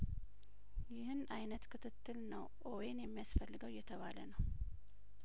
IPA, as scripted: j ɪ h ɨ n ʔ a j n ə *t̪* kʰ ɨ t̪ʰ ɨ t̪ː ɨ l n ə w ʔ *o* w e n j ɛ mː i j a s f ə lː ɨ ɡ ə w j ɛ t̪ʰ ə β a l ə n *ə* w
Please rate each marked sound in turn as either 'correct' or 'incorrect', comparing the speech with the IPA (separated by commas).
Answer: correct, correct, correct